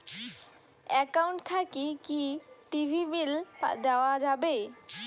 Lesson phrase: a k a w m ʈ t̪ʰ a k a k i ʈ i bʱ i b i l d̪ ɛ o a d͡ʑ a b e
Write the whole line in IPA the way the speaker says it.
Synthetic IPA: ɛ k a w ɳ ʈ t̪ʰ a k i k i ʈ i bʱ i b i l d̪ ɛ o a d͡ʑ a b e